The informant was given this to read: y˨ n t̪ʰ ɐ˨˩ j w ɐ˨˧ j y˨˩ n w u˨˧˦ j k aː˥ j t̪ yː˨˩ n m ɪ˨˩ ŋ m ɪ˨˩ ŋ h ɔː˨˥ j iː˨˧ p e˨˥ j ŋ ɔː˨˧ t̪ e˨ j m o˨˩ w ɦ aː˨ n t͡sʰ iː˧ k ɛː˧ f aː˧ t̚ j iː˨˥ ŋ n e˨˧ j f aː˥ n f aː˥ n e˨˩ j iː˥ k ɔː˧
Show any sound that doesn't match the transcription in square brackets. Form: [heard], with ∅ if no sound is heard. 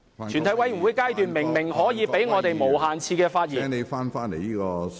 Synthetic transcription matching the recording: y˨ n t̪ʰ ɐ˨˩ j w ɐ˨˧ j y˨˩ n w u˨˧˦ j k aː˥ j t̪ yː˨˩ n m ɪ˨˩ ŋ m ɪ˨˩ ŋ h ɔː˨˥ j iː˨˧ p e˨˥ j ŋ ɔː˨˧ t̪ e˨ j m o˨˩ w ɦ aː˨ n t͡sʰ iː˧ k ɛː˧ f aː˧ t̚ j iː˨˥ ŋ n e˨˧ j f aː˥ n f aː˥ n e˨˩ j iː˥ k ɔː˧